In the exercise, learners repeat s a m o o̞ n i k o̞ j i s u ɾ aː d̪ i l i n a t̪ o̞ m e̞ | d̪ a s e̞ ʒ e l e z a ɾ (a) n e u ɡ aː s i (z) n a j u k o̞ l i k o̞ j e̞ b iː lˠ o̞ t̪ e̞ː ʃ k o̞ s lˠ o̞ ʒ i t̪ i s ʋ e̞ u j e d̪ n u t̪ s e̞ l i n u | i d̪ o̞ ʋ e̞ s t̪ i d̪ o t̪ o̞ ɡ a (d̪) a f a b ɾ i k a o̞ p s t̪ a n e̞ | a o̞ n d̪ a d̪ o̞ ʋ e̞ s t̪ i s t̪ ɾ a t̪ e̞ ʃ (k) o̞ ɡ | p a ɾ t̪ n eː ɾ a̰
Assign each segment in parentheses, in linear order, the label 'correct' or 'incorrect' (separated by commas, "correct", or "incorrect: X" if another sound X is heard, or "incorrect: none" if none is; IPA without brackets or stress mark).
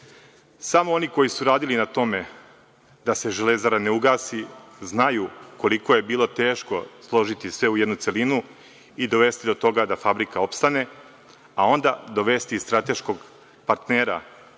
correct, correct, correct, correct